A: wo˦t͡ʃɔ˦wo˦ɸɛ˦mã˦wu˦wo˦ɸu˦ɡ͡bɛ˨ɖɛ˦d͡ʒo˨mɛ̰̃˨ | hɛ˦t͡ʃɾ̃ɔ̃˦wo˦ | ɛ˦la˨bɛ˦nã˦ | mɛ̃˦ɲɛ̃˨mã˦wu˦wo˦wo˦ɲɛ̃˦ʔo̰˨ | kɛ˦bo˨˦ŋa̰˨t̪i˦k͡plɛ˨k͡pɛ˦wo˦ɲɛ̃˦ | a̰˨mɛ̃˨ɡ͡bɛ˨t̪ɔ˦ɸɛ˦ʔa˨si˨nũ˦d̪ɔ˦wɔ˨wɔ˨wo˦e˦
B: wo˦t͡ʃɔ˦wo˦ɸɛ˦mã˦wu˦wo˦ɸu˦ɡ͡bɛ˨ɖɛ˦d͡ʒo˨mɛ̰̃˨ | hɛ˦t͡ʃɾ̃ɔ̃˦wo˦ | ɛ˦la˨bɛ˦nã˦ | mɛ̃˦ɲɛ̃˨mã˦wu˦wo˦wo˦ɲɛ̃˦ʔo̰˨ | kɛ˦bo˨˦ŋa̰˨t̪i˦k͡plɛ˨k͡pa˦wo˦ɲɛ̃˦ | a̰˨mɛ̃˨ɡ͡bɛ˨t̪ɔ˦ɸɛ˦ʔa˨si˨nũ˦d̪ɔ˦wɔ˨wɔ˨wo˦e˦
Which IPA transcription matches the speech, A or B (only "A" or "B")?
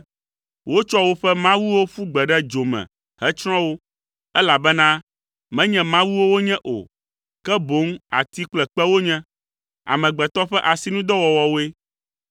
A